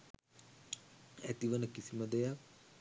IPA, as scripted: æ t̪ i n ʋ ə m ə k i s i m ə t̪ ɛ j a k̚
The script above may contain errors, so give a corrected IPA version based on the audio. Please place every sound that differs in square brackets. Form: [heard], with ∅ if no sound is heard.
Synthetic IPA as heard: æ t̪ i [∅] ʋ ə [n] ə k i s i m ə [d̪] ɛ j a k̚